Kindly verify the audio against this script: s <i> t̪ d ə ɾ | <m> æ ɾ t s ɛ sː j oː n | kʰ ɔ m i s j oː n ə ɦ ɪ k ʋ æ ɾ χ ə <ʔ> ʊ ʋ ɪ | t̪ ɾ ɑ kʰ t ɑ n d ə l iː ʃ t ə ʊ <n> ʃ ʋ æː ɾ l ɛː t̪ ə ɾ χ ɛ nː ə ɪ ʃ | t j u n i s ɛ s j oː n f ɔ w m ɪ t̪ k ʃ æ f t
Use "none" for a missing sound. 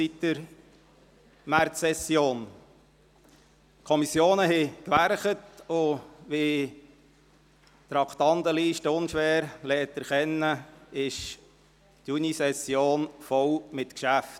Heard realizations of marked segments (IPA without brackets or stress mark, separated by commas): i, m, t, n